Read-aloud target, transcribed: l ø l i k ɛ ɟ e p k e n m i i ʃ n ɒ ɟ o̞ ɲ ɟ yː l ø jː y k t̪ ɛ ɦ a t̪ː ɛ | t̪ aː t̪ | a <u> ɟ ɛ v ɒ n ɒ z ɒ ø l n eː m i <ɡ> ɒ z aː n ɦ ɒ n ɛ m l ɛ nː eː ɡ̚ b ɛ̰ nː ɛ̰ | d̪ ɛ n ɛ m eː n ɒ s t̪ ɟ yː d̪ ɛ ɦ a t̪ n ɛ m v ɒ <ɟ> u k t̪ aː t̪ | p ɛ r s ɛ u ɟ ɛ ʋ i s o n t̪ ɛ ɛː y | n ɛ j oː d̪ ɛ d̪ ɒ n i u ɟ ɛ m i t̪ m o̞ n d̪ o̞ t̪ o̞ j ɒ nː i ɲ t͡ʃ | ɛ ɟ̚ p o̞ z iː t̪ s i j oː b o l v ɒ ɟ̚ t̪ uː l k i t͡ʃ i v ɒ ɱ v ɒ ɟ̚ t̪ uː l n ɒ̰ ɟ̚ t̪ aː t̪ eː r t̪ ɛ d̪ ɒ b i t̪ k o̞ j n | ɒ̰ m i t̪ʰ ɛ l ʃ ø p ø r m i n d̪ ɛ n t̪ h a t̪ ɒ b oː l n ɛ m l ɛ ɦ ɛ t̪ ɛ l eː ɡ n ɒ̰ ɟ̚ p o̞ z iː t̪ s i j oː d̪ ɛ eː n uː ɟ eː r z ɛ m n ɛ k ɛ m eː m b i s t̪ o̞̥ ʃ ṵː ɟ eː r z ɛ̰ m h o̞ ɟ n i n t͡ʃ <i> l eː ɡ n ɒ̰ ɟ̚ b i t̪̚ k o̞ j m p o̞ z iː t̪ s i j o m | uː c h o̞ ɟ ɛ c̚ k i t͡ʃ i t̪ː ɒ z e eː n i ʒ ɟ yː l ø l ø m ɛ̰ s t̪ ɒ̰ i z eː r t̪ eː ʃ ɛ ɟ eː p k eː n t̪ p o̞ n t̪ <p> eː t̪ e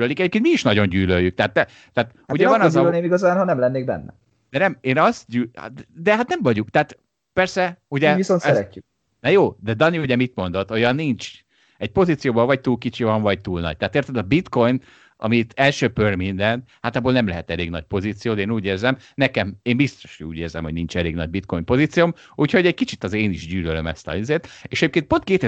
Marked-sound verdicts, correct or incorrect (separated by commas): correct, correct, correct, incorrect, incorrect